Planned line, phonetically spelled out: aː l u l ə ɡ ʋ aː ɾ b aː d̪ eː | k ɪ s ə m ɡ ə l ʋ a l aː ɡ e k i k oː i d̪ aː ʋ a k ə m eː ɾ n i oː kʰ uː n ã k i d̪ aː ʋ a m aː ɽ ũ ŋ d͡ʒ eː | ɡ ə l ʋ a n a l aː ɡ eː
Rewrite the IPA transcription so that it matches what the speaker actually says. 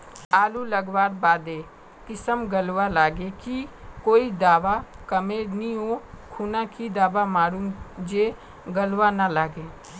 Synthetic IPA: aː l u l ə ɡ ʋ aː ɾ b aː d̪ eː | k ɪ s ə m ɡ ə l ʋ a l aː ɡ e k i k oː i d̪ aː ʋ a k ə m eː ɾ n i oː kʰ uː n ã k i d̪ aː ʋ a m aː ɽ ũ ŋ d͡ʒ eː | ɡ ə l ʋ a n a l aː ɡ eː